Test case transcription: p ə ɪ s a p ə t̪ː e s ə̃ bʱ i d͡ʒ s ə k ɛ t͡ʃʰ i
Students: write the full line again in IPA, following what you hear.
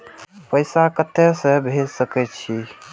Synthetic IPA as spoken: p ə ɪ s a k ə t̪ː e s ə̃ bʱ e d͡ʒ s ə k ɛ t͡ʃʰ i